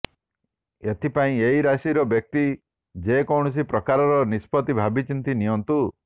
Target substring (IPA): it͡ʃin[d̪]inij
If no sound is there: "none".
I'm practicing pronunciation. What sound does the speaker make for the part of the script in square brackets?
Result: t̪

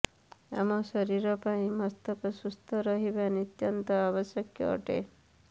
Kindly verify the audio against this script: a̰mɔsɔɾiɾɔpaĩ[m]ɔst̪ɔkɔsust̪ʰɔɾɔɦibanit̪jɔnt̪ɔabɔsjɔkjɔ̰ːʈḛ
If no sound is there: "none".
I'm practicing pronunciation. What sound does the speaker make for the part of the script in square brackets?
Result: m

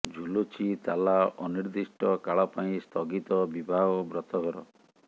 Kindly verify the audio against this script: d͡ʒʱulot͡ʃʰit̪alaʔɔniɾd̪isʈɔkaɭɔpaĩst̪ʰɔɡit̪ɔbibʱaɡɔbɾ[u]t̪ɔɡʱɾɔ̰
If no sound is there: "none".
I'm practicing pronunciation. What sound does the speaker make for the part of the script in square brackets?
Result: ɔ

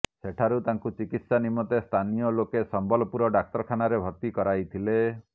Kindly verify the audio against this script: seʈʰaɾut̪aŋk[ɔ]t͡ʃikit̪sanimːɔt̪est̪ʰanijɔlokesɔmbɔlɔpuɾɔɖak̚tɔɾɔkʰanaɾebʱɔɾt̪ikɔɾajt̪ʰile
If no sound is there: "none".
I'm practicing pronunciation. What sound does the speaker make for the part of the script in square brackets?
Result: u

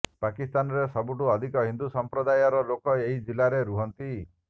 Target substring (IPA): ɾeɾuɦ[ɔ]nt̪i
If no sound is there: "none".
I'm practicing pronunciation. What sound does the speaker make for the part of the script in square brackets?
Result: ɔ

